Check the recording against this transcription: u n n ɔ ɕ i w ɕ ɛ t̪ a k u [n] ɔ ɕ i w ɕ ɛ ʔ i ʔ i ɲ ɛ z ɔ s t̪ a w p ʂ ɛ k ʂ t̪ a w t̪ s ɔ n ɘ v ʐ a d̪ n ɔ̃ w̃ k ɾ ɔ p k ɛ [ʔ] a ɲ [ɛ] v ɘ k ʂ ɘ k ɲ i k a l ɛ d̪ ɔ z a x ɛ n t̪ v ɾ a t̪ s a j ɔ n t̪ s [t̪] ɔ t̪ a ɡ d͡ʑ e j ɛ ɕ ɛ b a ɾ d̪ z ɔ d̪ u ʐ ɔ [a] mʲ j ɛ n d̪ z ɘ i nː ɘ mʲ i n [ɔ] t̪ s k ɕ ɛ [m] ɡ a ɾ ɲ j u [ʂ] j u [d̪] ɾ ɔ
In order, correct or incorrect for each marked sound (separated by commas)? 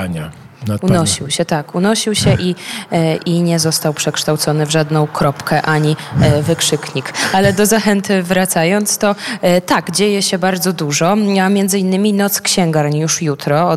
correct, correct, incorrect, correct, correct, correct, incorrect, correct, incorrect